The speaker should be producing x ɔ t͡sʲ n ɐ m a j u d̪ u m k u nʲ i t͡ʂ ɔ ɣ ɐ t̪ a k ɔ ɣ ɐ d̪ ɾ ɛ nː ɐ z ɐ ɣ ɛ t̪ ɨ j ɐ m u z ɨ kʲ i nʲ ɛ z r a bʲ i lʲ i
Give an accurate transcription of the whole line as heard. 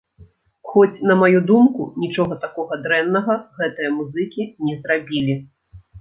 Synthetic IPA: x ɔ t͡sʲ n ɐ m a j u d̪ u m k u nʲ i t͡ʂ ɔ ɣ ɐ t̪ a k ɔ ɣ ɐ d̪ ɾ ɛ nː ɐ ɣ ɐ ɣ ɛ t̪ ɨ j ɐ m u z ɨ kʲ i nʲ ɛ z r a bʲ i lʲ i